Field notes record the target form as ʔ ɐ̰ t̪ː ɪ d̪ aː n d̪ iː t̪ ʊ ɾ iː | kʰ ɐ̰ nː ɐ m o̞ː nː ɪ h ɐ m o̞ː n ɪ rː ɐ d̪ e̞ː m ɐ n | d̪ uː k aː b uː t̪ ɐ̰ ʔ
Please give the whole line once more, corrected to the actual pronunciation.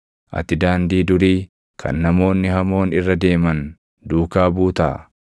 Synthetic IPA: ʔ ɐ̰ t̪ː ɪ d̪ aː n d̪ iː d̪ ʊ ɾ iː | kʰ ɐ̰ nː ɐ m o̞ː nː ɪ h ɐ m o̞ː n ɪ rː ɐ d̪ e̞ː m ɐ n | d̪ uː k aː b uː t̪ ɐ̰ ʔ